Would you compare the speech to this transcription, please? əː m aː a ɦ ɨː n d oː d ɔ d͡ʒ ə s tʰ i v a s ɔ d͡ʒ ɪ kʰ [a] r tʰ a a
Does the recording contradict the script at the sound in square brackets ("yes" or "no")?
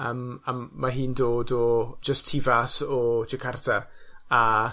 no